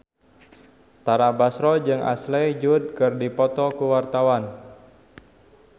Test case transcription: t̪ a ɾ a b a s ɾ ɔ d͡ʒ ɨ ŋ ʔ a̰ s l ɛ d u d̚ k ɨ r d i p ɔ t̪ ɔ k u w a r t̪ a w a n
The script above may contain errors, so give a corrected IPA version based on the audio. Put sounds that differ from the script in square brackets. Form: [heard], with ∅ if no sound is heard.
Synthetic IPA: t̪ a ɾ a b a s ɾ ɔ d͡ʒ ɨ ŋ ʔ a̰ s l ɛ [d͡ʒ] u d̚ k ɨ r d i p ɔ t̪ ɔ k u w a r t̪ a w a n